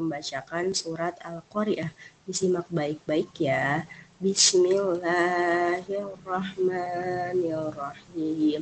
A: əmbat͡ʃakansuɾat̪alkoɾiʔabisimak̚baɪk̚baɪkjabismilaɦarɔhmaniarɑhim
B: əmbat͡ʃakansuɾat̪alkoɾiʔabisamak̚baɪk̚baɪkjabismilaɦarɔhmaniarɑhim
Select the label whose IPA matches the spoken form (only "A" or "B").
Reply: A